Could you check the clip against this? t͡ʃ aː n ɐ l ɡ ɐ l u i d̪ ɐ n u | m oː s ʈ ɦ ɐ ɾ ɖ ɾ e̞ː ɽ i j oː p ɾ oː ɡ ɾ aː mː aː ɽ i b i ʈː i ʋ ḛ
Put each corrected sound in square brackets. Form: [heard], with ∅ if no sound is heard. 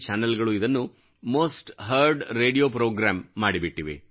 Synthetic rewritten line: t͡ʃ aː n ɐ l ɡ ɐ [ɭ] u i d̪ ɐ [nː] u | m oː s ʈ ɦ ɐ ɾ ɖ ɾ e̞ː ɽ i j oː p ɾ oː ɡ ɾ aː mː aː ɽ i b i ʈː i ʋ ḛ